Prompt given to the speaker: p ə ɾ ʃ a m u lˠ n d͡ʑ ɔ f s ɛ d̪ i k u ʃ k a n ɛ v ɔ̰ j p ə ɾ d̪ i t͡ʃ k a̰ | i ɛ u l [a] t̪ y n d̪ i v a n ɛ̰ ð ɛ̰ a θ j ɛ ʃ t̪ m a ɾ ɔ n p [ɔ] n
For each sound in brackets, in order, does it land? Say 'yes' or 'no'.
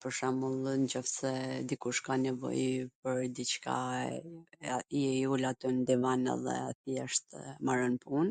yes, no

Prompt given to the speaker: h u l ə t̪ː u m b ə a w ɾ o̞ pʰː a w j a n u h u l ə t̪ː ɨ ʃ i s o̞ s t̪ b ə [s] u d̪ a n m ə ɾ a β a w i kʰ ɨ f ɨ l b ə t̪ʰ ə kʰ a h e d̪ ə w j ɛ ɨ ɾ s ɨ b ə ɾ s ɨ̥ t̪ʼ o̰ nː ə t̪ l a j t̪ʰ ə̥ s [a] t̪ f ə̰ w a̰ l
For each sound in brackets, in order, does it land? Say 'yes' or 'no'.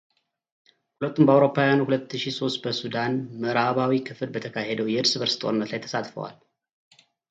yes, yes

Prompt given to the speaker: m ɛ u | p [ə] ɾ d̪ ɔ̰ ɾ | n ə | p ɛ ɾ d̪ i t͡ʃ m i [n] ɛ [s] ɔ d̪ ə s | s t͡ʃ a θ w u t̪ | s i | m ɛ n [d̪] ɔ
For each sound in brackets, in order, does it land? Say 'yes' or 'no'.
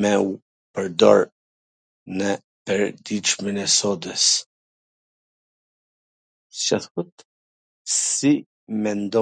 yes, yes, yes, yes

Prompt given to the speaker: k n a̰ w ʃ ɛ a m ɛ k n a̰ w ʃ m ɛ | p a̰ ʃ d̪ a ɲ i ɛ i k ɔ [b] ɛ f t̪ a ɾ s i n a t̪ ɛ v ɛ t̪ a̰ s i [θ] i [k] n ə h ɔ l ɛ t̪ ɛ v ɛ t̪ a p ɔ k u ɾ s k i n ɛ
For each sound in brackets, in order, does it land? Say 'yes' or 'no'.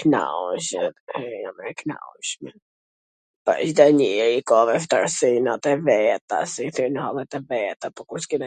no, yes, no

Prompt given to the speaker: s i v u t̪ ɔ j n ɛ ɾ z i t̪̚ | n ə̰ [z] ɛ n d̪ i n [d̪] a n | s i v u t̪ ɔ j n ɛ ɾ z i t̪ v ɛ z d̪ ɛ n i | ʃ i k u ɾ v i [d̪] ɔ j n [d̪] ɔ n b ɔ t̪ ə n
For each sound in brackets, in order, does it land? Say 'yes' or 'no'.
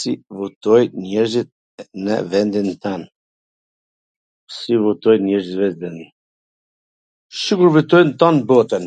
no, no, no, no

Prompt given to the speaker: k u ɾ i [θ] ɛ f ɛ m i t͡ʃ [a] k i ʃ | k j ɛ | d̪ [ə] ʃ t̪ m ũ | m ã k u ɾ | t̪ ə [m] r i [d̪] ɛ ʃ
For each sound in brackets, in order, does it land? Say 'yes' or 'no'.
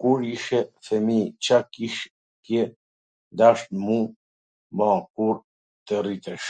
no, yes, no, no, no

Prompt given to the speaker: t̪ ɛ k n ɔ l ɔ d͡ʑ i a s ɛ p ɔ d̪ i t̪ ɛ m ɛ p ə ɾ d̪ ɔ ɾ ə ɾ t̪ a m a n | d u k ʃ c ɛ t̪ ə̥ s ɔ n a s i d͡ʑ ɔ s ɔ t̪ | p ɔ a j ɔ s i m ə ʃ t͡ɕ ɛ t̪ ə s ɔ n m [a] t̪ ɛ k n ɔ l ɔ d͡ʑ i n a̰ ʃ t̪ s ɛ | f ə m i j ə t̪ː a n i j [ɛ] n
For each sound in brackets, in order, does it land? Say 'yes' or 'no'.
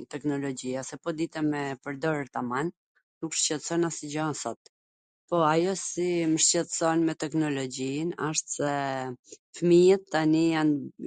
no, no

